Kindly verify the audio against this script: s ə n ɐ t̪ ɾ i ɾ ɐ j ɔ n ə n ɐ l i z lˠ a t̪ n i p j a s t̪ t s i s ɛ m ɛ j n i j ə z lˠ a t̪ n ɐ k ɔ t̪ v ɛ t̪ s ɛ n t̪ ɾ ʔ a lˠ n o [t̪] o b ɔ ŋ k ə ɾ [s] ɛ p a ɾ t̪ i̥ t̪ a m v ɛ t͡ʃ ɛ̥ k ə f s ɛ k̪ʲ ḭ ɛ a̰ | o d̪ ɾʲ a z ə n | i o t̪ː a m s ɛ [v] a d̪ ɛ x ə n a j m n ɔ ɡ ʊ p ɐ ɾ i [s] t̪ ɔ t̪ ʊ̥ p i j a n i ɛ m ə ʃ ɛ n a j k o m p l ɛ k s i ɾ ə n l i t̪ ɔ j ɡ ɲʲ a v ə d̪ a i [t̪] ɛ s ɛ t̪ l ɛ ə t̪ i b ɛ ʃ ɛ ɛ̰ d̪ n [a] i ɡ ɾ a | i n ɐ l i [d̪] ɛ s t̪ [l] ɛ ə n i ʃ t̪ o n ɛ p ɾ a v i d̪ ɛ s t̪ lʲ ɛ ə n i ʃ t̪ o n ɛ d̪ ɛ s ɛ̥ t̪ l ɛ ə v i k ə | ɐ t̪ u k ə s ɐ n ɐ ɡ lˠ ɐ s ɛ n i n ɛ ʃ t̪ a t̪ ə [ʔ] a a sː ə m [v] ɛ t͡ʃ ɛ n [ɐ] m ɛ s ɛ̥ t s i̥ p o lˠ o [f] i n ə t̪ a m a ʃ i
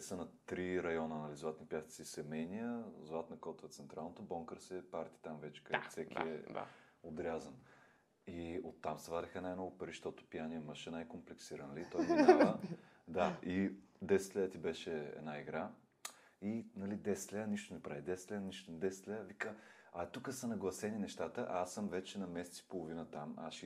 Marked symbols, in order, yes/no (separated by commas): yes, yes, yes, no, no, yes, yes, yes, yes, yes, yes, no